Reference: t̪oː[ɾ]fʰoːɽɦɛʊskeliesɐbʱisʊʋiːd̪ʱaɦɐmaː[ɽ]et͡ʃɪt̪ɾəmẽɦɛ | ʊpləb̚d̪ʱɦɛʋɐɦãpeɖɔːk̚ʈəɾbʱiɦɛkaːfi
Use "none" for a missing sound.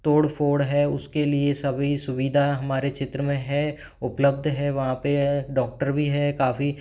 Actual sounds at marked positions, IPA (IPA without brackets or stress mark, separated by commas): ɽ, ɾ